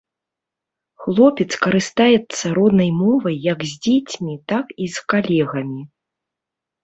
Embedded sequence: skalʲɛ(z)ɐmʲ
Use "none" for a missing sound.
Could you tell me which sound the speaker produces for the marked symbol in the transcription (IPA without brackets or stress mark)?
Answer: ɣ